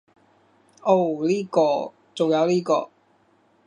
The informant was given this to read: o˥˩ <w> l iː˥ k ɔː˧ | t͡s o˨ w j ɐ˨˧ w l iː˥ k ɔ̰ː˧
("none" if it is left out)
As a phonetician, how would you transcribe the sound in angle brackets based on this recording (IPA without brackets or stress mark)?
w